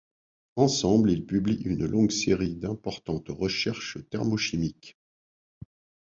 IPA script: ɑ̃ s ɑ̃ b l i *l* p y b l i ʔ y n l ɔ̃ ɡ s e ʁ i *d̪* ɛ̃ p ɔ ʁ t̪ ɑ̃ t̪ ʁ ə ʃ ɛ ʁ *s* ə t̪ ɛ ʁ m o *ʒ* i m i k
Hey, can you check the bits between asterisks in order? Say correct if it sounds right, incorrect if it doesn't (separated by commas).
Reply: correct, correct, incorrect, incorrect